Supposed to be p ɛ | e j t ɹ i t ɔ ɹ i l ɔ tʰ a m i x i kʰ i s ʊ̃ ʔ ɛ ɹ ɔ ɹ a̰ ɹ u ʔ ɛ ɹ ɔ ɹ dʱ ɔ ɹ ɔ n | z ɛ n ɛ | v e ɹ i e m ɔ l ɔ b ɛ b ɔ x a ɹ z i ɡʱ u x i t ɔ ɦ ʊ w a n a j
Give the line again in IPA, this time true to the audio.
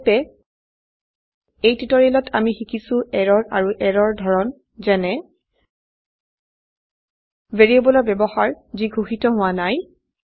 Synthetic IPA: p ɛ | e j t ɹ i t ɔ ɹ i l ɔ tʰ a m i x i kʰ i s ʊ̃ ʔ ɛ ɹ ɔ ɹ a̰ ɹ u ʔ ɛ ɹ ɔ ɹ dʱ ɔ ɹ ɔ n | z ɛ n ɛ | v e ɹ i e b ɔ l ɔ b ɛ b ɔ x a ɹ z i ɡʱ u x i t ɔ ɦ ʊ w a n a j